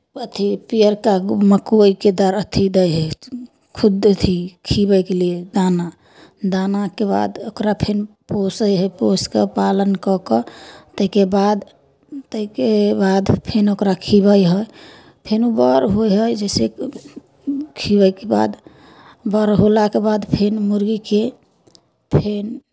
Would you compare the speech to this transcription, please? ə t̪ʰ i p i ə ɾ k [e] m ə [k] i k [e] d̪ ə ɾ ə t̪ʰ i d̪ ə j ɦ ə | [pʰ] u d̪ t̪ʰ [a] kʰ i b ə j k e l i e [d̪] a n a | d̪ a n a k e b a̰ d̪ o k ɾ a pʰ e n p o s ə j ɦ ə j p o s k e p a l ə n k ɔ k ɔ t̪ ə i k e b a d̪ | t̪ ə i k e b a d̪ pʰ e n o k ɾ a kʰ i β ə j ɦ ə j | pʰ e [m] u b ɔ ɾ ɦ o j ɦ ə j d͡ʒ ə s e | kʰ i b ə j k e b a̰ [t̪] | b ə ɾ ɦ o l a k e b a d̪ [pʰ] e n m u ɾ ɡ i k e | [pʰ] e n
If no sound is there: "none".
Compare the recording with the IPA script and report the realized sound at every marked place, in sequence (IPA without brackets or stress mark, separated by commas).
a, k, e, kʰ, i, d̪, n, d̪, pʰ, pʰ